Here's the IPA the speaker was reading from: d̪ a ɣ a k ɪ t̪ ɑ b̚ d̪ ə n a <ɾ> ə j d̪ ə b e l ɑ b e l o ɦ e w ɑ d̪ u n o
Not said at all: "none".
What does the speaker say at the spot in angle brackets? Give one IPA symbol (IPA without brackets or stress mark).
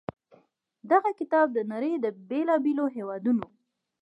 ɾ